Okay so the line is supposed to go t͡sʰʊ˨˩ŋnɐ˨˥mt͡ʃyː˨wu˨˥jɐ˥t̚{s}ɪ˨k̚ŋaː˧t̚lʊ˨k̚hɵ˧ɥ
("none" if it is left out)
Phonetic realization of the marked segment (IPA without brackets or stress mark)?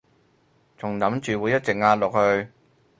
t͡s